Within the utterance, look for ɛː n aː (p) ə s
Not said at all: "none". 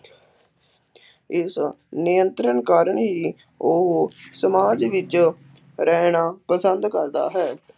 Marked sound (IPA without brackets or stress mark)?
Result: p